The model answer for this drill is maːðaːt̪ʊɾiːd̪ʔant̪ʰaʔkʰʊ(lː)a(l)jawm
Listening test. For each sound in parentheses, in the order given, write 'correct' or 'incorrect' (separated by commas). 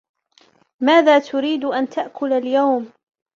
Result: incorrect, correct